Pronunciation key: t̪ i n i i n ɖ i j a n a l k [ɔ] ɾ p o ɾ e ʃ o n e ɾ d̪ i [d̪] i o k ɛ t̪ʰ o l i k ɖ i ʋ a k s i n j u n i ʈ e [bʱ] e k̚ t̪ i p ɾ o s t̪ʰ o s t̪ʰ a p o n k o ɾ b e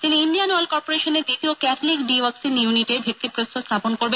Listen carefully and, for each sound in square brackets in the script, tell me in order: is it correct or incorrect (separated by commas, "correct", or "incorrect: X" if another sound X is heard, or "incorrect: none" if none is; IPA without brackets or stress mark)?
correct, incorrect: t̪, correct